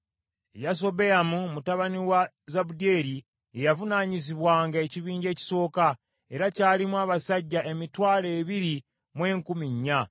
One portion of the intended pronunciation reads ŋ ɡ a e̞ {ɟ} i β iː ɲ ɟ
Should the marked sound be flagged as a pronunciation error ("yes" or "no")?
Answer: yes